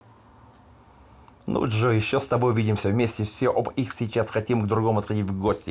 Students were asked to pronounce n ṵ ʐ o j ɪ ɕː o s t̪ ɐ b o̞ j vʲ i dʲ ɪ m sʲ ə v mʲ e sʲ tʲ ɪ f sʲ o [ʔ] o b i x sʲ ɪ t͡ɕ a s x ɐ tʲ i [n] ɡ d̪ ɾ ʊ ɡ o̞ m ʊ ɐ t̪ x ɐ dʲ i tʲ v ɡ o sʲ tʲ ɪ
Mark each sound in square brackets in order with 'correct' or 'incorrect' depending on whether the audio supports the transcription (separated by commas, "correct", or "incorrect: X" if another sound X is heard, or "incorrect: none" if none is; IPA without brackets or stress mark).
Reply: correct, incorrect: m